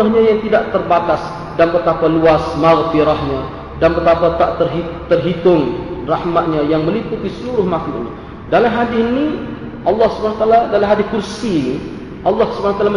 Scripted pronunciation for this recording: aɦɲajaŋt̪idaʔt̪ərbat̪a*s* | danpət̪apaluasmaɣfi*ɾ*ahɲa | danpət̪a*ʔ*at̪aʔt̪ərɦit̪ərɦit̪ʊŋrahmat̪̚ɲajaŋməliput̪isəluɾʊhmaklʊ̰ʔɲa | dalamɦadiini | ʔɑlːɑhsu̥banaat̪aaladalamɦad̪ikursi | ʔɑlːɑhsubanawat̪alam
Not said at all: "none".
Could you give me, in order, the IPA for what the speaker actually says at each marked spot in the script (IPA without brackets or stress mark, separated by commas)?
s, ɾ, p